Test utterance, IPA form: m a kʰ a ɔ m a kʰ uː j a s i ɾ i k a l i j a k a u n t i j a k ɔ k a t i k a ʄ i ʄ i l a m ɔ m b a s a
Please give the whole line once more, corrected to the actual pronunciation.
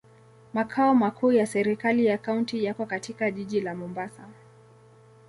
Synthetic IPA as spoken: m a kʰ a ɔ m a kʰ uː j a s ɛ ɾ i k a l i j a k a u n t i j a k ɔ k a t i k a ʄ i ʄ i l a m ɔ m b a s a